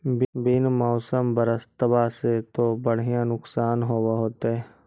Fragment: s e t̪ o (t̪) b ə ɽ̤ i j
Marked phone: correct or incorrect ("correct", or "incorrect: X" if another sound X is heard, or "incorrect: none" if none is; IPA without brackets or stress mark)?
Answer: incorrect: none